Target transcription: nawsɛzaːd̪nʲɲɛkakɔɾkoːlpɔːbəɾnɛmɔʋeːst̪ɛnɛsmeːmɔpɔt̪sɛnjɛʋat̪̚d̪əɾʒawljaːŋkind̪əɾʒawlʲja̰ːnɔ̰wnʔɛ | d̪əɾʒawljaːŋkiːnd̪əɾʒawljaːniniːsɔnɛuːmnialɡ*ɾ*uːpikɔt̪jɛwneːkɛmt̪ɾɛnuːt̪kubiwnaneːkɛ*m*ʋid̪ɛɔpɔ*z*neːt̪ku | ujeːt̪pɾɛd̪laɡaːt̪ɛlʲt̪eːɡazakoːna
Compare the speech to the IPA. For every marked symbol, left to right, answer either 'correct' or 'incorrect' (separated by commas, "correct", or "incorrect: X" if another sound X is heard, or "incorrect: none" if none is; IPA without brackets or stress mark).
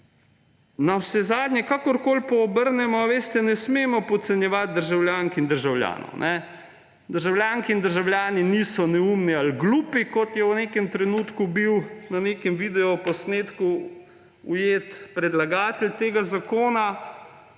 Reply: incorrect: l, correct, incorrect: s